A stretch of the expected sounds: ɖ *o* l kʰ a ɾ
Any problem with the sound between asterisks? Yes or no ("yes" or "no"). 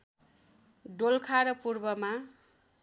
no